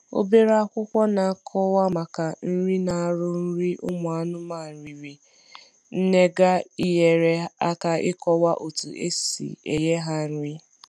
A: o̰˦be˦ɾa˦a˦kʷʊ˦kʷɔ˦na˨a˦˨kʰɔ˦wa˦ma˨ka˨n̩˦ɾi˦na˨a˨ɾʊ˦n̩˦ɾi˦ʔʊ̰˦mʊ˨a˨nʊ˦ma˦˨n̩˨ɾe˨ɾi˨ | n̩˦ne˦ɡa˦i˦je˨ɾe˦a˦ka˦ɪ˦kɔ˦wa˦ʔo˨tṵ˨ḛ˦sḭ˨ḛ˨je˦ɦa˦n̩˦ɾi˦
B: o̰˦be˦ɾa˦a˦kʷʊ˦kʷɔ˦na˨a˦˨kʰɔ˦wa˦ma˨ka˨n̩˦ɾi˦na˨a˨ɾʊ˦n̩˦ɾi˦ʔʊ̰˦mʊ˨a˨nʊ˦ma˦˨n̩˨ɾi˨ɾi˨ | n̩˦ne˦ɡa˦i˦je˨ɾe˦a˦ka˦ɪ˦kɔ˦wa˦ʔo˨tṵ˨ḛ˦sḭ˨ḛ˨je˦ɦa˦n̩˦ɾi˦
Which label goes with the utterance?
B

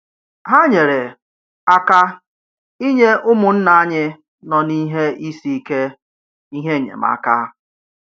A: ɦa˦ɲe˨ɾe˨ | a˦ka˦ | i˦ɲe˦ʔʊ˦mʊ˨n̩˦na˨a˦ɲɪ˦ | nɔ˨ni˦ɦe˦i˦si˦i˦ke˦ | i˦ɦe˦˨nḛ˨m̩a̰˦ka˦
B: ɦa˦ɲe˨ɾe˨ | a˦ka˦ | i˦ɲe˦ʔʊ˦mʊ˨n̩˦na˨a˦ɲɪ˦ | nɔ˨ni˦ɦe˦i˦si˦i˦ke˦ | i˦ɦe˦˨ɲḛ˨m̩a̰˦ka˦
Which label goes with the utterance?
B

